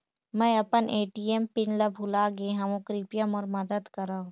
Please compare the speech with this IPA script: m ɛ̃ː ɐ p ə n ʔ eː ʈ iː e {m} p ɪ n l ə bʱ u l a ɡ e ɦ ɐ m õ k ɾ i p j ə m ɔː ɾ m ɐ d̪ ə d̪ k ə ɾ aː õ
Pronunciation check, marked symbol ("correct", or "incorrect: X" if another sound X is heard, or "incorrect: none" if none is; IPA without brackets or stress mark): correct